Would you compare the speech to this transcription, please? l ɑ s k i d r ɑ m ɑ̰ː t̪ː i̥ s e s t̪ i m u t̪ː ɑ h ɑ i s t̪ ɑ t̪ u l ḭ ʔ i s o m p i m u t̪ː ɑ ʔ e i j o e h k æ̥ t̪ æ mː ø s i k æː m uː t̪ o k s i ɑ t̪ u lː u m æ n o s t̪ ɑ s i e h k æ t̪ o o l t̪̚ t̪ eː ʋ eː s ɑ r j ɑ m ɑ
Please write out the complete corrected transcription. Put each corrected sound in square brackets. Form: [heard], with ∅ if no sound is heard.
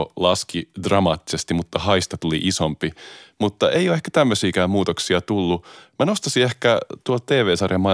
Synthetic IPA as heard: l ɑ s k i d r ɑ m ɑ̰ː t̪ː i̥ s e s t̪ i m u t̪ː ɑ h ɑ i s t̪ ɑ t̪ u l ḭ ʔ i s o m p i m u t̪ː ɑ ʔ e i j o e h k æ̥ t̪ æ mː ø s [iː] k æː m uː t̪ o k s i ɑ t̪ u lː u m æ n o s t̪ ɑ s i e h k æ t̪ [u] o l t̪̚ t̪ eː ʋ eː s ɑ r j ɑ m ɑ